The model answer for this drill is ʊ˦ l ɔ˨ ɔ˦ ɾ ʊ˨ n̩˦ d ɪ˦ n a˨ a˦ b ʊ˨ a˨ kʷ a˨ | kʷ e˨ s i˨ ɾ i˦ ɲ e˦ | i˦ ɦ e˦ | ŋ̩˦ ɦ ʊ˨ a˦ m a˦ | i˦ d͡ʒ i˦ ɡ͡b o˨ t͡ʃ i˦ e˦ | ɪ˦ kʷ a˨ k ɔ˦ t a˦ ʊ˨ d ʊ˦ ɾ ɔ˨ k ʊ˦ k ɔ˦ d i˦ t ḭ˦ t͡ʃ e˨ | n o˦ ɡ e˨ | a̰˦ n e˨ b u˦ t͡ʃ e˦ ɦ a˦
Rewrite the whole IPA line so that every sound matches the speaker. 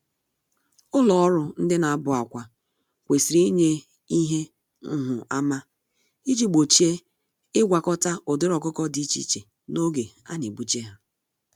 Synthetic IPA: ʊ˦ l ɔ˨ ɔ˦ ɾ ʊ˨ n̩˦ d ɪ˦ n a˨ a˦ b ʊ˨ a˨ kʷ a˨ | kʷ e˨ s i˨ ɾ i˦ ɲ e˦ | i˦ ɦ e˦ | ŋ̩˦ ɦ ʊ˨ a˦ m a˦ | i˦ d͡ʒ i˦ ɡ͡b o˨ t͡ʃ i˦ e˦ | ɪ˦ ɡʷ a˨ k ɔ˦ t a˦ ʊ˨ d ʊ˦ ɾ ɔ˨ k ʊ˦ k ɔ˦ d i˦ t͡ʃ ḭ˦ t͡ʃ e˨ | n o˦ ɡ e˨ | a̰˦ n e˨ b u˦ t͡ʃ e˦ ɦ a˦